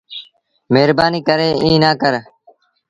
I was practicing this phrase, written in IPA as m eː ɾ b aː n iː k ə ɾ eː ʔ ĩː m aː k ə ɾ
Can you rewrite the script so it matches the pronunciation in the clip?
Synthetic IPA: m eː ɾ b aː n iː k ə ɾ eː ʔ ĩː n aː k ə ɾ